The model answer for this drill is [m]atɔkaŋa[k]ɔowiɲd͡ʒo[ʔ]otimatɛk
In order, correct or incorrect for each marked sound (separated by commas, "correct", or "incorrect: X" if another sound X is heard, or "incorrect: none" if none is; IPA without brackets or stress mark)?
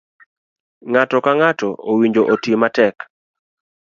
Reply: incorrect: ŋ, incorrect: t, correct